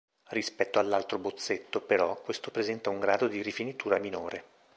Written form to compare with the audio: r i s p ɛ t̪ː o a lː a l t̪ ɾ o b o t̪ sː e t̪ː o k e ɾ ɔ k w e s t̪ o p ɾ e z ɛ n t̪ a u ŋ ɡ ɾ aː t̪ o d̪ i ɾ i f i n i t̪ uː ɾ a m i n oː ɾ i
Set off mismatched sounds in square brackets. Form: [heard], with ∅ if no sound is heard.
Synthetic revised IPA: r i s p ɛ t̪ː o a lː a l t̪ ɾ o b o t̪ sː e t̪ː o [p] e ɾ ɔ k w e s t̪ o p ɾ e z ɛ n t̪ a u ŋ ɡ ɾ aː [d̪] o d̪ i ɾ i f i n i t̪ uː ɾ a m i n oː ɾ [e]